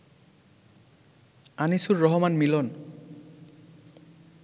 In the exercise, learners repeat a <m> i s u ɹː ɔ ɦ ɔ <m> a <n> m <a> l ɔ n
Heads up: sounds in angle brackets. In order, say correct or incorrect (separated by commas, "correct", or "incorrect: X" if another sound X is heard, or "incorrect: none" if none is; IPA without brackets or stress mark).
incorrect: n, correct, correct, incorrect: i